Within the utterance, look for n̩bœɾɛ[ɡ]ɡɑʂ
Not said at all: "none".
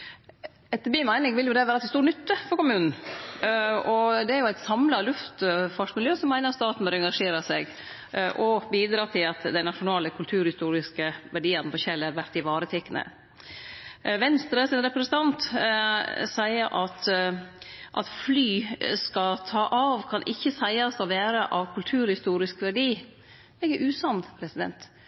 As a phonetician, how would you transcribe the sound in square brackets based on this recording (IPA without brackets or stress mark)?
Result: ŋ